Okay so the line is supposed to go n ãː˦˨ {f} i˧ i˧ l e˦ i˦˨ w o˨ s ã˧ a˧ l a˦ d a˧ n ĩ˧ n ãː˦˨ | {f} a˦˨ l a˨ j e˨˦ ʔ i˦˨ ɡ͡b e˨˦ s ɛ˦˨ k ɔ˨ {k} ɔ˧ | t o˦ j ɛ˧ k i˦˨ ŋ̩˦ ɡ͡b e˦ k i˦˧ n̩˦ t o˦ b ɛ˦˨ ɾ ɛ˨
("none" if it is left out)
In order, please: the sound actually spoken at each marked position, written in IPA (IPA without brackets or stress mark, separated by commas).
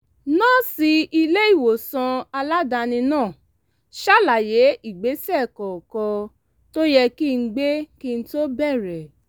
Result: s, ʃ, k